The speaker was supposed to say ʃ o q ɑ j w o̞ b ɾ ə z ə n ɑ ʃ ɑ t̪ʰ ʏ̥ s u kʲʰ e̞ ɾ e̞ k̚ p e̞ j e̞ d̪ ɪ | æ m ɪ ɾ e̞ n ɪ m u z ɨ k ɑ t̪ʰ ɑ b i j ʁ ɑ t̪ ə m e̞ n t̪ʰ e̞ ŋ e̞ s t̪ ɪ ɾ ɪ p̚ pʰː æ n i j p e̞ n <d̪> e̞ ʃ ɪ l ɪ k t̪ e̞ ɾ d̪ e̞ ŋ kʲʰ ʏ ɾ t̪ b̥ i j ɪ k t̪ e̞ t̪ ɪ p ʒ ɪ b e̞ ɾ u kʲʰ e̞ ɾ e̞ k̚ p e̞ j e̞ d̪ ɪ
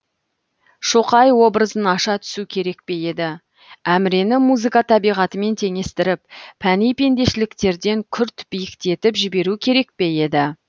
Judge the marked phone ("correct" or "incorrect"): correct